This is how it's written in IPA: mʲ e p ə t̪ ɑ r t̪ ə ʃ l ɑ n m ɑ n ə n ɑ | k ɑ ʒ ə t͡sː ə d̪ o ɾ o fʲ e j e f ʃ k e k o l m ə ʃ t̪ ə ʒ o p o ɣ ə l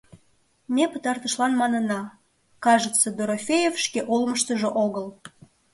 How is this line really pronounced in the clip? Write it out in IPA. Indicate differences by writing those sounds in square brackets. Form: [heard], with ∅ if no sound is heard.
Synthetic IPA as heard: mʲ e p ə t̪ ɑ r t̪ ə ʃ l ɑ n m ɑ n ə n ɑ | k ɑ ʒ ə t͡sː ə d̪ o ɾ o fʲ e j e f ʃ k e [ʔ] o l m ə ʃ t̪ ə ʒ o [ʔ] o ɣ ə l